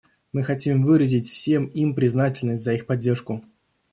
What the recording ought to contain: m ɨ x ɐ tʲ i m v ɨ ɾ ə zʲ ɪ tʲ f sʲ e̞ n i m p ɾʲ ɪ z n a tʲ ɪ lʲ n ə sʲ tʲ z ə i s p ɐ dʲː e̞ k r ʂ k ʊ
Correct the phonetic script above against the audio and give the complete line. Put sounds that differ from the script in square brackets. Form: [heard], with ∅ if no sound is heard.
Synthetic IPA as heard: m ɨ x ɐ tʲ i m v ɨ ɾ ə zʲ ɪ tʲ f sʲ e̞ [m] i m p ɾʲ ɪ z n a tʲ ɪ lʲ n ə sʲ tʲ z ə i [x] p ɐ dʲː e̞ [∅] r ʂ k ʊ